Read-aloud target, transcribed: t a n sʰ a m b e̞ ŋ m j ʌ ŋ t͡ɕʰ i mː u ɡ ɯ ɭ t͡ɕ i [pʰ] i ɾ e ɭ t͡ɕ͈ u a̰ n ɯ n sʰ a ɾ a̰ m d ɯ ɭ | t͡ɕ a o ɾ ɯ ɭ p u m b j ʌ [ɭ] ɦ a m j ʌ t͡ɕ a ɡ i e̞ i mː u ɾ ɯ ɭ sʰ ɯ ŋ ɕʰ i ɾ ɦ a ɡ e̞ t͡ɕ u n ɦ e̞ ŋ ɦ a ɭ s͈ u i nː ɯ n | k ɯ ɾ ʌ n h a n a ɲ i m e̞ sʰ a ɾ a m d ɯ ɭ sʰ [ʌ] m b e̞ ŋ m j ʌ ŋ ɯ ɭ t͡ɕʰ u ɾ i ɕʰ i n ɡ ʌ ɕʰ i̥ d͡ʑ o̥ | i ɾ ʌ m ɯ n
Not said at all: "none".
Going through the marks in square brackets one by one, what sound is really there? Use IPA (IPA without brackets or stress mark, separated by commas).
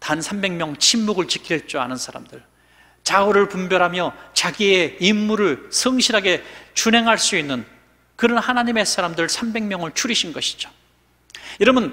kʰ, ɾ, a